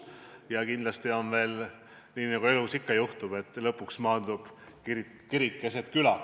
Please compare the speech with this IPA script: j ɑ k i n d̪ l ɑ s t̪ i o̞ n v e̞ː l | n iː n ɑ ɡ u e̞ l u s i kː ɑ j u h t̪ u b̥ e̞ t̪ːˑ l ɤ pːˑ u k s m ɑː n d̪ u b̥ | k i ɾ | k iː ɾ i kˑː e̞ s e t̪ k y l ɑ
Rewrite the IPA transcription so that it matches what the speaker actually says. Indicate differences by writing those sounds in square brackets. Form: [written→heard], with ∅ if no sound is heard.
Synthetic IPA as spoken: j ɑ k i n d̪ l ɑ s t̪ i o̞ n v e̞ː l | n iː n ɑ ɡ u e̞ l u s i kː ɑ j u h t̪ u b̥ e̞ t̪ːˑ l ɤ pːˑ u k s m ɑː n d̪ u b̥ | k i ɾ | k [iː→i] ɾ i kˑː e̞ s e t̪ k y l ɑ